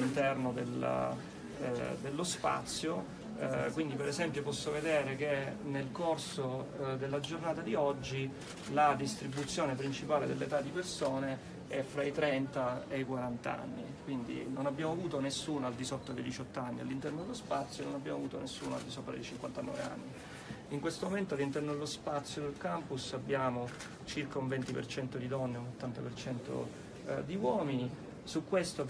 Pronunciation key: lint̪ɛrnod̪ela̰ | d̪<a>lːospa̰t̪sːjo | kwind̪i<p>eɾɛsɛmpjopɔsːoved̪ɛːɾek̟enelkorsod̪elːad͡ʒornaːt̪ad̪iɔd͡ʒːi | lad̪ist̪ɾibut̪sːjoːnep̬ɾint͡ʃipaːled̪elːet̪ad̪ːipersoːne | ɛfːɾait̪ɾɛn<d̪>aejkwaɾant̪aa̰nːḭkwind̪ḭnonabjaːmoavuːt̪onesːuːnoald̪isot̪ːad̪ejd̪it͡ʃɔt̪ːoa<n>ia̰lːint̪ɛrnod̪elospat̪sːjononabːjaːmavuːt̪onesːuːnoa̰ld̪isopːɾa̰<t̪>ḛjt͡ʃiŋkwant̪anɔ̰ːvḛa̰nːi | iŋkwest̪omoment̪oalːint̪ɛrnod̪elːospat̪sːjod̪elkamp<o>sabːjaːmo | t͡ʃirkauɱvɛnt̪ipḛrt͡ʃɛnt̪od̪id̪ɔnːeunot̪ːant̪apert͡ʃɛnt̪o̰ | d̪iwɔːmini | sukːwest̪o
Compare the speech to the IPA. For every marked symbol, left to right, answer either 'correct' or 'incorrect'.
incorrect: e, correct, incorrect: t̪, incorrect: nː, incorrect: d̪, incorrect: u

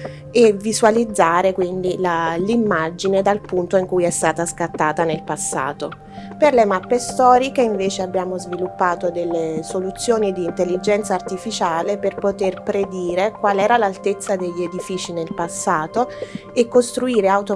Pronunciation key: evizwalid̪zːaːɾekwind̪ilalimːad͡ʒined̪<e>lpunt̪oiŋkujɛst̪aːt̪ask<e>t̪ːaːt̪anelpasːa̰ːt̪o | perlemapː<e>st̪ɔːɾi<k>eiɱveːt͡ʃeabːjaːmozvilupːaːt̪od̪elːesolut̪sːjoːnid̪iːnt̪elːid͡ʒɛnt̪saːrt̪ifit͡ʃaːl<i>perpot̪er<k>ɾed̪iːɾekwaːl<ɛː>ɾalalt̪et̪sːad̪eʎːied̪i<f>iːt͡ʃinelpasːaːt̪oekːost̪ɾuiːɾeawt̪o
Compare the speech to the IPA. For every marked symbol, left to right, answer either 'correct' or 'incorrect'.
incorrect: a, incorrect: a, correct, correct, incorrect: e, incorrect: p, correct, correct

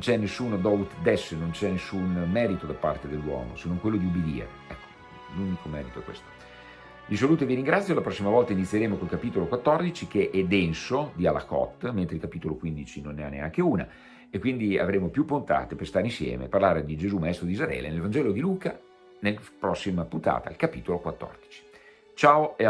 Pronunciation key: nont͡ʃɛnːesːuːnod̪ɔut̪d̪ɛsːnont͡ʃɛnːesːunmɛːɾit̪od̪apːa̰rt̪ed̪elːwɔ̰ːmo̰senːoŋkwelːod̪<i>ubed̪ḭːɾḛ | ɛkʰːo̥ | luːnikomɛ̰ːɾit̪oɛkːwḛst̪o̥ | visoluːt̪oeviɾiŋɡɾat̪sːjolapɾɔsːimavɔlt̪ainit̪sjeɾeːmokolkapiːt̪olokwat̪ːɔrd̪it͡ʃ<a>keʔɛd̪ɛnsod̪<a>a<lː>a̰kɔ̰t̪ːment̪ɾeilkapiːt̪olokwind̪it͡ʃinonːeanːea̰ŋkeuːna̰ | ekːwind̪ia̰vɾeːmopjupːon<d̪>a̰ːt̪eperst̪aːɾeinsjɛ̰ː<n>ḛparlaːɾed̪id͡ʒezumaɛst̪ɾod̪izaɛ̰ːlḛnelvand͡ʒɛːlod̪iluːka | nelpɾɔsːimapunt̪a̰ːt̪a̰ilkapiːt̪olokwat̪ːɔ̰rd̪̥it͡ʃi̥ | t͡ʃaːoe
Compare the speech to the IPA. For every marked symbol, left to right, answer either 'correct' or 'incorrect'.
correct, incorrect: i, incorrect: i, incorrect: l, incorrect: t̪, incorrect: m

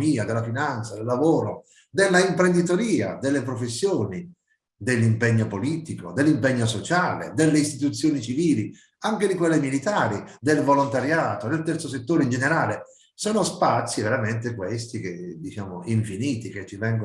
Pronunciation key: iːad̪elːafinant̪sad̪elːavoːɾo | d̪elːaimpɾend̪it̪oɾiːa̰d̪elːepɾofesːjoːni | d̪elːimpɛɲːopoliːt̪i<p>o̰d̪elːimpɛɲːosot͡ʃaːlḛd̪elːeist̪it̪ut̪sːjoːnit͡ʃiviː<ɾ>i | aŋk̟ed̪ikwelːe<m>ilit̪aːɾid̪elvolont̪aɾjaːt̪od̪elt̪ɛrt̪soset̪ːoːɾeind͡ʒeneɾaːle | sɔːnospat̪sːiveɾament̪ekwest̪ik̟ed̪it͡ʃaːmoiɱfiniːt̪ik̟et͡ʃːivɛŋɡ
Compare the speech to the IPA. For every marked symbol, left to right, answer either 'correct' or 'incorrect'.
incorrect: k, incorrect: l, correct

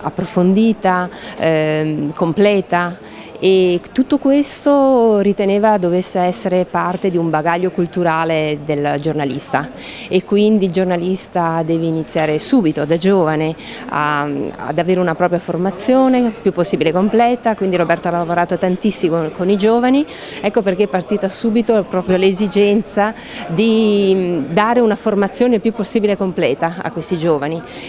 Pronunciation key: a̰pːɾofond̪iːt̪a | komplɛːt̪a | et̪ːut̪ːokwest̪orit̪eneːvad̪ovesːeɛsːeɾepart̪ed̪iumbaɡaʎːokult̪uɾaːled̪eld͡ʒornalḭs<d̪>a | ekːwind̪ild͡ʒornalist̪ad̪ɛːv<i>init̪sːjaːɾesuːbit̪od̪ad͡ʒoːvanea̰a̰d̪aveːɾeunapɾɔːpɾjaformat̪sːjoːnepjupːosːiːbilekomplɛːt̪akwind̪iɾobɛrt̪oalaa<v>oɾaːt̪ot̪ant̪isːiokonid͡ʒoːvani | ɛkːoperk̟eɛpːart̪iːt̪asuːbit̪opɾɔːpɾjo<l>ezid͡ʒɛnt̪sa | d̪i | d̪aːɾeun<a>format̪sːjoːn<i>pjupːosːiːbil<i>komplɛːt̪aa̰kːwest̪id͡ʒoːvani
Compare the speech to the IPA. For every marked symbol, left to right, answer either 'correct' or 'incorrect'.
incorrect: t̪, incorrect: e, correct, correct, correct, incorrect: e, incorrect: e

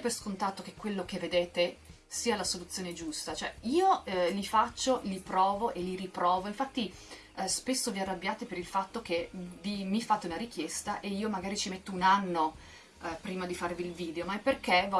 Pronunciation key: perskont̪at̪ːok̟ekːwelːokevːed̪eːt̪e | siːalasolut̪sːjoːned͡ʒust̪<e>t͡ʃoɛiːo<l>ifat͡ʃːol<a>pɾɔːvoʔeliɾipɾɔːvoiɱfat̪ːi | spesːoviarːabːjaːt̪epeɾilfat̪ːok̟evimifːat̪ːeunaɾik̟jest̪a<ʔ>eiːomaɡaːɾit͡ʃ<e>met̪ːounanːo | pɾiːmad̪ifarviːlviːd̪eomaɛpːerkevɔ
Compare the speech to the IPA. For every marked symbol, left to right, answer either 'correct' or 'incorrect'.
incorrect: a, correct, incorrect: i, correct, incorrect: i

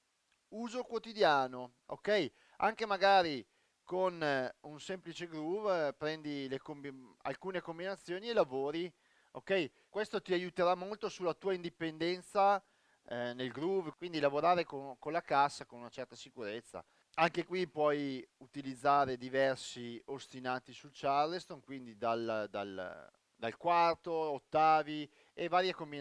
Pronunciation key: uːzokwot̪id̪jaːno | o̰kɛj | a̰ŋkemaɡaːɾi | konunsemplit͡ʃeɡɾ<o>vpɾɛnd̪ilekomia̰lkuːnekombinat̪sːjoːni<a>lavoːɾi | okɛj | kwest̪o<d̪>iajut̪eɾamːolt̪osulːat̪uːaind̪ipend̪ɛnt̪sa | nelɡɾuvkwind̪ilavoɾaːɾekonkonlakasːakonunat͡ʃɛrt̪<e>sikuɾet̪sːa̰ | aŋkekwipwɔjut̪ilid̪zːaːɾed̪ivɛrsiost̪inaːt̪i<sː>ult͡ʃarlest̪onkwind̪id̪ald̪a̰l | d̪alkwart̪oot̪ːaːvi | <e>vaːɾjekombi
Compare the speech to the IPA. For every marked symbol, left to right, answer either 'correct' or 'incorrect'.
incorrect: u, incorrect: e, incorrect: t̪, incorrect: a, incorrect: s, correct

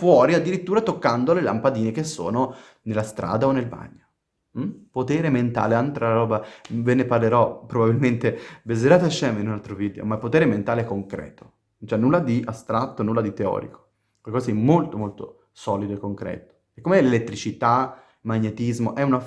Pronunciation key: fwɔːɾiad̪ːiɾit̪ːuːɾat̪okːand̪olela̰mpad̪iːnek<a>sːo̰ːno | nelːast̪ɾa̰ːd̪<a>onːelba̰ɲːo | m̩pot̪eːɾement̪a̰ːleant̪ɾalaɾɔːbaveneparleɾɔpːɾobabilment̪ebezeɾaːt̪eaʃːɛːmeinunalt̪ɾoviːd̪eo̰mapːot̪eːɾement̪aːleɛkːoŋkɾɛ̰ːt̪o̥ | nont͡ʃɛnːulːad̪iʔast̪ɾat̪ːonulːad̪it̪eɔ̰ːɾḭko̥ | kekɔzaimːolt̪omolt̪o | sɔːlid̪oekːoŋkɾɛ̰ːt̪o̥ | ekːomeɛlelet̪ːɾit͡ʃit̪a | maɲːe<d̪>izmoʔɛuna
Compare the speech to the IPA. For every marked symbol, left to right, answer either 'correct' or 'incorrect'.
incorrect: e, correct, incorrect: t̪

